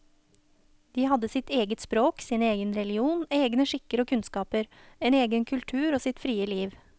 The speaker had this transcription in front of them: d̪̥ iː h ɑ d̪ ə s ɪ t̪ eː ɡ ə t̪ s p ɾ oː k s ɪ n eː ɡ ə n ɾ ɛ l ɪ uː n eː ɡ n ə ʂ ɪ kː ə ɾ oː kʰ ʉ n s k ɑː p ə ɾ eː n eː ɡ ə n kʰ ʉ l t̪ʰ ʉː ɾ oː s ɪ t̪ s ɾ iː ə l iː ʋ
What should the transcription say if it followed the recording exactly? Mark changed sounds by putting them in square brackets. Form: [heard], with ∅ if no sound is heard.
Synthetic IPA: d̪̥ iː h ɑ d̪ ə s ɪ t̪ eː ɡ ə t̪ s p ɾ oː k s ɪ n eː ɡ ə n ɾ ɛ l ɪ uː n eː ɡ n ə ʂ ɪ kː ə ɾ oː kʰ ʉ n s k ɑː p ə ɾ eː n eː ɡ ə n kʰ ʉ l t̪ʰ ʉː ɾ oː s ɪ t̪ [f] ɾ iː ə l iː ʋ